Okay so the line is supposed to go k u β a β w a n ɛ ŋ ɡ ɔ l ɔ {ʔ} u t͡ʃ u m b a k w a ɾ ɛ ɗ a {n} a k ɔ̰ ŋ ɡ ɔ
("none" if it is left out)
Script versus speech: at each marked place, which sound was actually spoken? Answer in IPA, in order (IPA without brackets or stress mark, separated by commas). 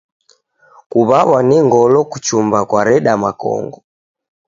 k, m